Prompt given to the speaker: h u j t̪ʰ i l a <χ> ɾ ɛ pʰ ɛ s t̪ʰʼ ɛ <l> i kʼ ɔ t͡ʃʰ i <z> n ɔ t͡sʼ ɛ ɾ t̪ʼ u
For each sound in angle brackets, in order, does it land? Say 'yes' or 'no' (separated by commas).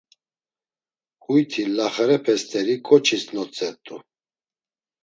yes, no, no